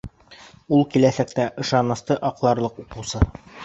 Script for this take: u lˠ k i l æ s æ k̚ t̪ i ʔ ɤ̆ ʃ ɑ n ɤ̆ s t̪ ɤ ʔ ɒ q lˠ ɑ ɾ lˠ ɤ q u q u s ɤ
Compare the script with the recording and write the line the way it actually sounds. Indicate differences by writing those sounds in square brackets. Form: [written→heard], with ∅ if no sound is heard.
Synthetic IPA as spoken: u lˠ k i l æ s æ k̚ t̪ [i→æ] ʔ ɤ̆ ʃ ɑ n ɤ̆ s t̪ ɤ ʔ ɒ q lˠ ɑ ɾ lˠ ɤ q u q u s ɤ